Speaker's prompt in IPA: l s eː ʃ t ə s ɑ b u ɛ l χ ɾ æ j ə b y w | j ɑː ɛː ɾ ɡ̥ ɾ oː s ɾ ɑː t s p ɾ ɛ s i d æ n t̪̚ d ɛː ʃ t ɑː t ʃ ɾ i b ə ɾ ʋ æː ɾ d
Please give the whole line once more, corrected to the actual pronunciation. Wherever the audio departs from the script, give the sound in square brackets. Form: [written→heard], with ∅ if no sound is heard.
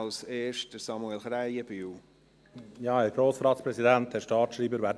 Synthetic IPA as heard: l s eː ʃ t ə s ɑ [b→m] u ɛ l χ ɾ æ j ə b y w | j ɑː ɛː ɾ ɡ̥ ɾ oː s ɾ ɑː t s p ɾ ɛ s i d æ n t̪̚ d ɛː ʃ t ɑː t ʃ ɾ [i→iː] b ə ɾ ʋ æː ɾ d